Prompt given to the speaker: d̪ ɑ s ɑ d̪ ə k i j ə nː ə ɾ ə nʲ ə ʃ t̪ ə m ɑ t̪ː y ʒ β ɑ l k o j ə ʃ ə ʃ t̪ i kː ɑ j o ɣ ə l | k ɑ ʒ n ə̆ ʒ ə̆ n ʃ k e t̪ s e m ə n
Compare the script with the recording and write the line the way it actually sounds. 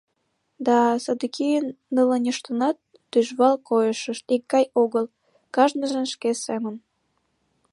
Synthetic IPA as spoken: d̪ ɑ s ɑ d̪ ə k i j ə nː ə l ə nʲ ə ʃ t̪ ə n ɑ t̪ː y ʒ β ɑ l k o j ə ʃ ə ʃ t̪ i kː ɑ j o ɣ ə l | k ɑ ʒ n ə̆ ʒ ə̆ n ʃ k e s e m ə n

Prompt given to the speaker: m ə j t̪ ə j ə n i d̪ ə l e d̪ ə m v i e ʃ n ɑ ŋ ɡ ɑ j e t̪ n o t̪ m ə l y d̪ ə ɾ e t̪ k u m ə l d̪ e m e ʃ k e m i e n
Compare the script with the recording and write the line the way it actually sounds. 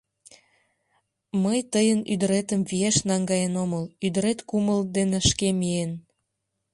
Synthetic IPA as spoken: m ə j t̪ ə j ə n y d̪ ə ɾ e t̪ ə m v i e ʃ n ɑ ŋ ɡ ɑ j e n o m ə l y d̪ ə ɾ e t̪ k u m ə l d̪ e n e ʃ k e m i e n

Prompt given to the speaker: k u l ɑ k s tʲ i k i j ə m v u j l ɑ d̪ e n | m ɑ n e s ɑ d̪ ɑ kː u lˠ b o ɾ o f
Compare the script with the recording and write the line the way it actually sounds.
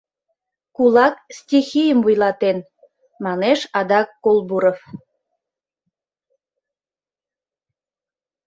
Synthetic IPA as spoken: k u l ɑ k s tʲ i x i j ə m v u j l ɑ t̪ e n | m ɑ n e ʃ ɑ d̪ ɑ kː o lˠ b u ɾ o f

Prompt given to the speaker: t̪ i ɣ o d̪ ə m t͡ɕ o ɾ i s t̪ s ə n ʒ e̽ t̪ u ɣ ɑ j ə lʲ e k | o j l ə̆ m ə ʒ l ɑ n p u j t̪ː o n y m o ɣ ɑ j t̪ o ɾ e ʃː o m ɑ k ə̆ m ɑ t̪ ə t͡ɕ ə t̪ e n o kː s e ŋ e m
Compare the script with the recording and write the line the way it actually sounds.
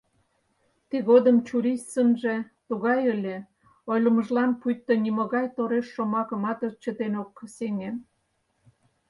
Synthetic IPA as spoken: t̪ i ɣ o d̪ ə m t͡ɕ u ɾ i s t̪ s ə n ʒ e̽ t̪ u ɣ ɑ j ə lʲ e | o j l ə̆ m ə ʒ l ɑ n p u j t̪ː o n i m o ɣ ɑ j t̪ o ɾ e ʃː o m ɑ k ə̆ m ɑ t̪ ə t͡ɕ ə t̪ e n o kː s e ŋ e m

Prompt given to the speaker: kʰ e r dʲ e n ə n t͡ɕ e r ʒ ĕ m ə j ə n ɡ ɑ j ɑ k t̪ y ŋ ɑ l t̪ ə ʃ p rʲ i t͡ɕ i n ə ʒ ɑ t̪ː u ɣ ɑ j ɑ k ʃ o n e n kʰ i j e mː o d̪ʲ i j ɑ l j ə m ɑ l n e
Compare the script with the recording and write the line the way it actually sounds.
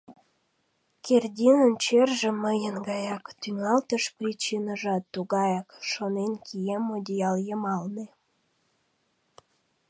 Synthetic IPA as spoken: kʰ e r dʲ i n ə n t͡ɕ e r ʒ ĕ m ə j ə n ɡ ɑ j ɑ k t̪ y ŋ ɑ l t̪ ə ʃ p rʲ i t͡ɕ i n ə ʒ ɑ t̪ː u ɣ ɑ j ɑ k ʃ o n e n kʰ i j e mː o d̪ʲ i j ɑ l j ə m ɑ l n e

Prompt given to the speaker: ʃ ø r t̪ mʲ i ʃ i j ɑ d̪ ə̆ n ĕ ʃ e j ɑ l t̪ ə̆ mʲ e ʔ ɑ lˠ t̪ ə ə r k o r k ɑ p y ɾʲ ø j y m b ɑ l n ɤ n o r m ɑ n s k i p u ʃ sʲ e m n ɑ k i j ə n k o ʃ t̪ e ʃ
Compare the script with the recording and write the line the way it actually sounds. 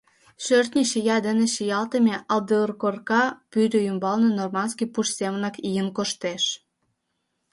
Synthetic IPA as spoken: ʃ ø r t̪ nʲ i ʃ i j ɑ d̪ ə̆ n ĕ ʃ i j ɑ l t̪ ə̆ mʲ e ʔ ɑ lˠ d̪ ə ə r k o r k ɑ p y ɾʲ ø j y m b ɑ l n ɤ n o r m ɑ n s k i p u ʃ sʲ e m n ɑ k i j ə n k o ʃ t̪ e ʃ

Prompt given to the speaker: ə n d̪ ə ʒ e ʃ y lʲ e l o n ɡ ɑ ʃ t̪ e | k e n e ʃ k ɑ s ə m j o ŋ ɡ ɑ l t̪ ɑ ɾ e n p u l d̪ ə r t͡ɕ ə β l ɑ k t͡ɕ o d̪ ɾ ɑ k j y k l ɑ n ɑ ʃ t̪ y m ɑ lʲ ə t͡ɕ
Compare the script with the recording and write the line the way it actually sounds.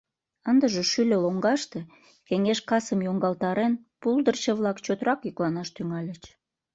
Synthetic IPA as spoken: ə n d̪ ə ʒ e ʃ y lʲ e l o ŋ ɡ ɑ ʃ t̪ e | k e ŋ e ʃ k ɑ s ə m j o ŋ ɡ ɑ l t̪ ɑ ɾ e n p u l d̪ ə r t͡ɕ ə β l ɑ k t͡ɕ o t̪ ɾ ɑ k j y k l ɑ n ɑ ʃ t̪ y ŋ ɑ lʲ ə t͡ɕ

